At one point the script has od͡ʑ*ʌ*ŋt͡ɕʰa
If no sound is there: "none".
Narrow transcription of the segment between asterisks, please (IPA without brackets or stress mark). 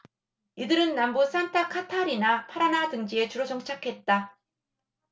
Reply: ʌ